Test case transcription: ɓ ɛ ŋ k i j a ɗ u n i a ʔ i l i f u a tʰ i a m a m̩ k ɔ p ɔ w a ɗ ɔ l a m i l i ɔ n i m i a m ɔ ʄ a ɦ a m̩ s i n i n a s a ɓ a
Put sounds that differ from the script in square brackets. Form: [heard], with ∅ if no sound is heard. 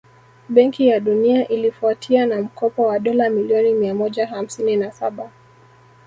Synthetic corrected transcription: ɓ ɛ ŋ k i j a ɗ u n i a ʔ i l i f u a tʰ i a [n] a m̩ k ɔ p ɔ w a ɗ ɔ l a m i l i ɔ n i m i a m ɔ ʄ a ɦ a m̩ s i n i n a s a ɓ a